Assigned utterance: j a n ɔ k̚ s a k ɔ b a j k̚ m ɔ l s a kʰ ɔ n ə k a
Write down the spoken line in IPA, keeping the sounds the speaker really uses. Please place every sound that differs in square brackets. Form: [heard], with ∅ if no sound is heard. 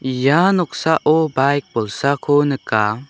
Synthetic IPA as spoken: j a n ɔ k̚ s a [ʔ] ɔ b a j k̚ [b] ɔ l s a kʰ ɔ n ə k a